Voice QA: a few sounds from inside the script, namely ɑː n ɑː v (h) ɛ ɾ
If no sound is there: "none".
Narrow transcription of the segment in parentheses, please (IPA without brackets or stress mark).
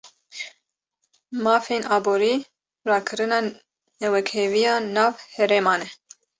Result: h